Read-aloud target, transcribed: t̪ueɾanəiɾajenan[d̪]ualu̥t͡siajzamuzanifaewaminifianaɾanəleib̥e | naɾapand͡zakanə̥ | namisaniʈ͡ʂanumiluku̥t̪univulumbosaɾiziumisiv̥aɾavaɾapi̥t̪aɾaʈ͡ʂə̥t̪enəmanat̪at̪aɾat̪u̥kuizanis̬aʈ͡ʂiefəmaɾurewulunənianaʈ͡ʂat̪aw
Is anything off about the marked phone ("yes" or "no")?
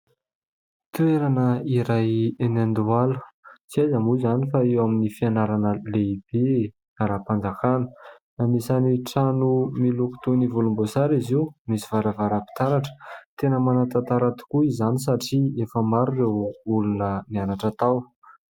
no